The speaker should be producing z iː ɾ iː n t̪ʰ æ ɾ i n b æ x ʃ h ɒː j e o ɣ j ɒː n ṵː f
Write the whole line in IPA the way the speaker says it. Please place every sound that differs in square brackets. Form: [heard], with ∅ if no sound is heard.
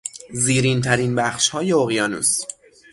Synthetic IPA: z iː ɾ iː n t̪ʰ æ ɾ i n b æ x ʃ h ɒː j e o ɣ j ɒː n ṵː [s]

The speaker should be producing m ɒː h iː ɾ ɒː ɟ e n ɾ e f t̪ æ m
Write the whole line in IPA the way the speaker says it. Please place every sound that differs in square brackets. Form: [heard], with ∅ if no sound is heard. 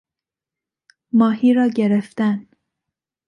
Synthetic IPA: m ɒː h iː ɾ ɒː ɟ e [∅] ɾ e f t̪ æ [n]

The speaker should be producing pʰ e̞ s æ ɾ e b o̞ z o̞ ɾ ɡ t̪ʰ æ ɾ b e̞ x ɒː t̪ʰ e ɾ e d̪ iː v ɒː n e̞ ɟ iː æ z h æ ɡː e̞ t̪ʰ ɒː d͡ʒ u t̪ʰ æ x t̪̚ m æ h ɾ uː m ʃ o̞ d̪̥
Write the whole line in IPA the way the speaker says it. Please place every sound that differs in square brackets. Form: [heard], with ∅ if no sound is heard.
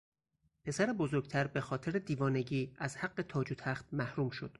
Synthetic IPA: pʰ e̞ s æ ɾ e b o̞ z o̞ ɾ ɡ t̪ʰ æ ɾ b e̞ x ɒː t̪ʰ e ɾ e d̪ iː v ɒː n e̞ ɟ iː æ z h æ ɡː e̞ t̪ʰ ɒː d͡ʒ u t̪ʰ æ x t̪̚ m æ h ɾ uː m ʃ o̞ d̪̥

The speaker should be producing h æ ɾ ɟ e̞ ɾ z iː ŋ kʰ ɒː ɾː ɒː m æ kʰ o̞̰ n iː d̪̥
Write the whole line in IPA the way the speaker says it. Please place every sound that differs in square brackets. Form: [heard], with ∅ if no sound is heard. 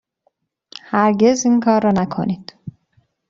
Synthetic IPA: h æ ɾ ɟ e̞ [∅] z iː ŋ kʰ ɒː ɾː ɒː [n] æ kʰ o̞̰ n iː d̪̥

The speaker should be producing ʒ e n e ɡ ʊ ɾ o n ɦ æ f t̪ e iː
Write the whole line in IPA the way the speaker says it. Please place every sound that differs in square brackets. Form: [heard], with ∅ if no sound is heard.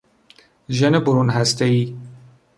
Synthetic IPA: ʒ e n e [b] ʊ ɾ [u] n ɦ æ [s] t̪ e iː

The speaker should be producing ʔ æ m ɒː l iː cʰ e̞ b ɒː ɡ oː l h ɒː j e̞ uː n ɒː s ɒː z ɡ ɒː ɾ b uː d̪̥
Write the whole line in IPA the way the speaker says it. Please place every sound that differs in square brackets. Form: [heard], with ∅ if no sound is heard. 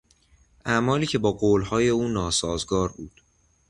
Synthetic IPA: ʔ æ m ɒː l iː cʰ e̞ b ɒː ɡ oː l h ɒː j e̞ uː n ɒː s ɒː z ɡ ɒː ɾ b uː d̪̥

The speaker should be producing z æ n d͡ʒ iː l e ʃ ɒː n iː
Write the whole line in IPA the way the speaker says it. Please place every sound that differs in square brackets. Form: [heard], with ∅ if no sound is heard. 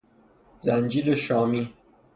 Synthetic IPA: z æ n d͡ʒ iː l e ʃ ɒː [m] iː

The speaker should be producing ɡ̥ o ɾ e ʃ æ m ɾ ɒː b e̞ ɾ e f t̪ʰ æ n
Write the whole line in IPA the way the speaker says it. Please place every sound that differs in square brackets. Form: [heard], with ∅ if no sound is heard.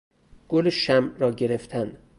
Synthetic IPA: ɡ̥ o [l] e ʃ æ m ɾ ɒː [ɟ] e̞ ɾ e f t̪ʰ æ n

